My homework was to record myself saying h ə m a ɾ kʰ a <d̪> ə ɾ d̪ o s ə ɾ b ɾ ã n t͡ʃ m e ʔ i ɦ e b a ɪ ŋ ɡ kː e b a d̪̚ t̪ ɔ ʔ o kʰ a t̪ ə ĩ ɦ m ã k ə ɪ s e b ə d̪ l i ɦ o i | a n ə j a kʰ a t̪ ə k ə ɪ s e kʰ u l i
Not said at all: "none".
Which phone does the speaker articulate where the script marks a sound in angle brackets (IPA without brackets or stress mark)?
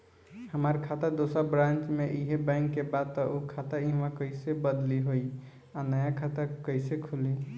t̪